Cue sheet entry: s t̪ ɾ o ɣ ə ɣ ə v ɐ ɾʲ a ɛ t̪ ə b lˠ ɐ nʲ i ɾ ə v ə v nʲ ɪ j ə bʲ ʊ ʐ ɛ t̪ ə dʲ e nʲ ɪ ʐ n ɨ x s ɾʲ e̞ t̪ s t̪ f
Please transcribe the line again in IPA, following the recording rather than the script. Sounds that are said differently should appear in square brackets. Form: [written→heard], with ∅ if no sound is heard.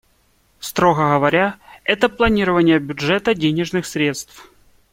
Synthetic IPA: s t̪ ɾ o ɣ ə ɣ ə v ɐ ɾʲ a ɛ t̪ ə [b→p] lˠ ɐ nʲ i ɾ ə v ə [v→∅] nʲ ɪ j ə bʲ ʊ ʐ ɛ t̪ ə dʲ e nʲ ɪ ʐ n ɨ x s ɾʲ e̞ t̪ s t̪ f